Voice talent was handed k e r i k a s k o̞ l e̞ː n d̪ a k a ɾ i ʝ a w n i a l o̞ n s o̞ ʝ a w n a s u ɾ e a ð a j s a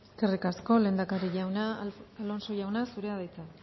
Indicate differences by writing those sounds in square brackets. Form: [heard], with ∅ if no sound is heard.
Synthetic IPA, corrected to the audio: k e r i k a s k o̞ l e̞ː n d̪ a k a ɾ i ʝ a w n [a] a l o̞ n s o̞ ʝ a w n a s u ɾ e a ð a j [t͡s] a